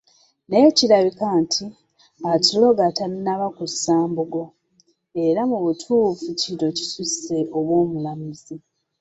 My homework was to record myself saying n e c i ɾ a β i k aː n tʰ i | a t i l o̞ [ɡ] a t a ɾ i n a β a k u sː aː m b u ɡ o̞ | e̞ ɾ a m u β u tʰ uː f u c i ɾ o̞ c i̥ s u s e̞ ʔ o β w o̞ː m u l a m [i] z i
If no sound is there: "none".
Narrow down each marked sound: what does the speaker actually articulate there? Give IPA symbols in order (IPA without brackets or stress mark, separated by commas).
ɡ, i